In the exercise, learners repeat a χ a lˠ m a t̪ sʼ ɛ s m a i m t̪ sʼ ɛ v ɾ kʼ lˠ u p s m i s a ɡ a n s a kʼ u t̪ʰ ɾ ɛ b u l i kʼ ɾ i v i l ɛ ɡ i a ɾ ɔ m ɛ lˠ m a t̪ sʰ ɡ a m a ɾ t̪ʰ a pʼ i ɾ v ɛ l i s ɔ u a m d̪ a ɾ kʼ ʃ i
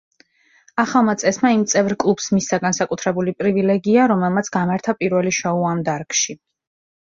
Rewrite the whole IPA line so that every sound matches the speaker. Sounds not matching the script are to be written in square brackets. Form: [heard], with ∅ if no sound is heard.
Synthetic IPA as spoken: a χ a lˠ m a t̪ sʼ ɛ s m a i m t̪ sʼ ɛ v ɾ kʼ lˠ u p s m i s a ɡ a n s a kʼ u t̪ʰ ɾ ɛ b u l i [pʼ] ɾ i v i l ɛ ɡ i a ɾ ɔ m ɛ lˠ m a t̪ sʰ ɡ a m a ɾ t̪ʰ a pʼ i ɾ v ɛ l i [ʃ] ɔ u a m d̪ a ɾ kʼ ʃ i